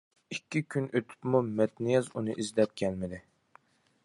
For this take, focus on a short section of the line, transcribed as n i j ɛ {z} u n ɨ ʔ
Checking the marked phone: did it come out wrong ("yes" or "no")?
no